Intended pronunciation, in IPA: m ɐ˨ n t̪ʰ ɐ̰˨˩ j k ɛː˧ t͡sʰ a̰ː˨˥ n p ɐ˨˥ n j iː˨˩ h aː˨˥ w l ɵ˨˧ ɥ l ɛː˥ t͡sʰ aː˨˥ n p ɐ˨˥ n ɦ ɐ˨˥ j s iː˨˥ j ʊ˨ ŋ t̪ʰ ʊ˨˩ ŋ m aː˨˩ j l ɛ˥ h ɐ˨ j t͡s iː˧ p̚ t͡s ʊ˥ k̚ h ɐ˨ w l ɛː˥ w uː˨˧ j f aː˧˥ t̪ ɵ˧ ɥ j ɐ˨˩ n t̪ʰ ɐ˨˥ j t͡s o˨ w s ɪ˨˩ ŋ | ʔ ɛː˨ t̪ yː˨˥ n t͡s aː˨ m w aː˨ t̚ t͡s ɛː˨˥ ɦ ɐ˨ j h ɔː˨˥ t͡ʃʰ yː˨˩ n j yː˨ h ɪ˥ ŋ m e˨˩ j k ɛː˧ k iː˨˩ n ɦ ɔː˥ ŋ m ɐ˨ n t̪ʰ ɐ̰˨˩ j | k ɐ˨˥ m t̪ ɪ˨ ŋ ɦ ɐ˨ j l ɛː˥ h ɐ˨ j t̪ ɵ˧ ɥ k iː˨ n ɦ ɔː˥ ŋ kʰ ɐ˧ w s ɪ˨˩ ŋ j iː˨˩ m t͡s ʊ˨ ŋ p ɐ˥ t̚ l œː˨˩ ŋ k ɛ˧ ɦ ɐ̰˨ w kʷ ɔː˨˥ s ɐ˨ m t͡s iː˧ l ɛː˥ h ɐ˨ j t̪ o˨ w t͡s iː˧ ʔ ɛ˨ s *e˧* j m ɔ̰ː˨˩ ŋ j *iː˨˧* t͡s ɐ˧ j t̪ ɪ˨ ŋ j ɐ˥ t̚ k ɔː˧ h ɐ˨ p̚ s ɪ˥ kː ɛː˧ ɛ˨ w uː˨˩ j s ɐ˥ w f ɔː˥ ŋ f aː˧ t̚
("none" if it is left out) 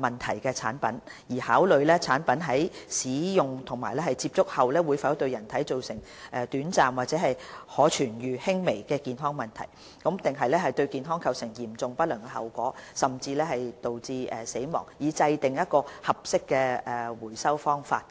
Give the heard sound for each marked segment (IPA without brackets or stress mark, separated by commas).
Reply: e˨˥, iː˨˧